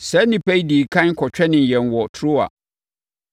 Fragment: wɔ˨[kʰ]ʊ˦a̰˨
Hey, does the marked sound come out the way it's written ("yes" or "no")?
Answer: no